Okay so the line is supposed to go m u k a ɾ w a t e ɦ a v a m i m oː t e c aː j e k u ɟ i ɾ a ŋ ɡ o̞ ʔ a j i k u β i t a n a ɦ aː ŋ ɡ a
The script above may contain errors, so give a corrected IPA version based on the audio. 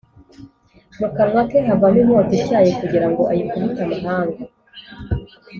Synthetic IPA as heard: m u k a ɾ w a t e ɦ a v a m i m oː t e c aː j e k u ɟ i ɾ a ŋ ɡ o̞ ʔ a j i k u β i t a m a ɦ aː ŋ ɡ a